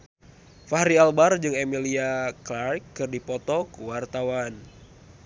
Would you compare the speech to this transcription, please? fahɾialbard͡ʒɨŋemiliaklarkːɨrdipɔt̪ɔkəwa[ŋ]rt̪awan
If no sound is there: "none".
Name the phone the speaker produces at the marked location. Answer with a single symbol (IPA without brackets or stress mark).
none